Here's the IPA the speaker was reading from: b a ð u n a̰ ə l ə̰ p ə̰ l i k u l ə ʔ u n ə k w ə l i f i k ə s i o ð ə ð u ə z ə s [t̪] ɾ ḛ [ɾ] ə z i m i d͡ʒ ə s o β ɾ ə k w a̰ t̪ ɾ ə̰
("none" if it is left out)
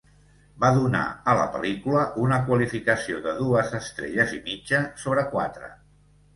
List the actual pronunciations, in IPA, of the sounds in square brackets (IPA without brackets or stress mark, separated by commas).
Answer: t̪, ʎ